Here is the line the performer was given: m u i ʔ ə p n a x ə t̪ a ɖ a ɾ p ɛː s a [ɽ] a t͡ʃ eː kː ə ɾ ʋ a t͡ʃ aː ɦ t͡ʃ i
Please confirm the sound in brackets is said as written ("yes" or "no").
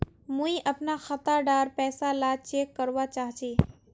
no